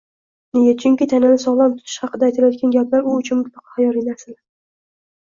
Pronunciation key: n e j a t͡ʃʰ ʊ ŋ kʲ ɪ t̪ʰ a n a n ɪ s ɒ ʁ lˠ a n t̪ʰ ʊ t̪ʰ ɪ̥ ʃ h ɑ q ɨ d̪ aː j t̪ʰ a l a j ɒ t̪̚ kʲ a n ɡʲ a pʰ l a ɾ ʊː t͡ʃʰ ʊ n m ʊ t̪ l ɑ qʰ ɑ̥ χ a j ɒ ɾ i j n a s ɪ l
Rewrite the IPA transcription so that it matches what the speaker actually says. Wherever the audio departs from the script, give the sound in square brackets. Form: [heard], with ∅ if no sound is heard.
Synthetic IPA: n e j a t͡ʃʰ ʊ ŋ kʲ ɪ t̪ʰ a n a n ɪ s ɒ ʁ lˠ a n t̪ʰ ʊ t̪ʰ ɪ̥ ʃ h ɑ q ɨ d̪ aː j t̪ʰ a l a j ɒ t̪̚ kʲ a n ɡʲ a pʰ l a ɾ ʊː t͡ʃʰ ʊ n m ʊ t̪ l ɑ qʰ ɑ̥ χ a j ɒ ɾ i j n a s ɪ l